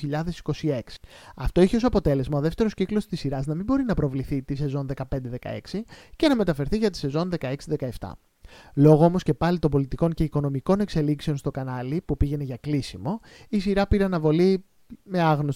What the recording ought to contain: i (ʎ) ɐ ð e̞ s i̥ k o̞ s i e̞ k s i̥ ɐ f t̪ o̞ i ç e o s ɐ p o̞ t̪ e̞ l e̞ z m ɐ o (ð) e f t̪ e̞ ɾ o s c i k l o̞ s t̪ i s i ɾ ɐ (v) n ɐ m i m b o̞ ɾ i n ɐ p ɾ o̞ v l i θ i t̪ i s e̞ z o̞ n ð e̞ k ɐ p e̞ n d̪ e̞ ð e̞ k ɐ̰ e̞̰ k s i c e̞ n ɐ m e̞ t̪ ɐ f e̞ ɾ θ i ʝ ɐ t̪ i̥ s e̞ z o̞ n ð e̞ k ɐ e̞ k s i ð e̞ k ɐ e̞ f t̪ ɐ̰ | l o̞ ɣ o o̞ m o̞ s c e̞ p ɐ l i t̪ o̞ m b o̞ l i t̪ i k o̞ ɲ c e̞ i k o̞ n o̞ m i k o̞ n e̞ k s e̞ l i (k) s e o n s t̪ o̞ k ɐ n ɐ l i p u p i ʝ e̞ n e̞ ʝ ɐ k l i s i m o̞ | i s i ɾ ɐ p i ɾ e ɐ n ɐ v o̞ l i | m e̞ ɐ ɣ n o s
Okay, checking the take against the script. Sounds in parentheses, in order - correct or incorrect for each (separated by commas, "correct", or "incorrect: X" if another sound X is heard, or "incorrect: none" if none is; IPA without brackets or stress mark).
correct, correct, incorrect: z, correct